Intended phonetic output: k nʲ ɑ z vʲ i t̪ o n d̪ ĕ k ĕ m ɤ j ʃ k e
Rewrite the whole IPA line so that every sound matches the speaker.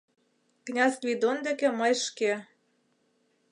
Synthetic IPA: k nʲ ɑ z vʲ i d̪ o n d̪ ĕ k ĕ m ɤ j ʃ k e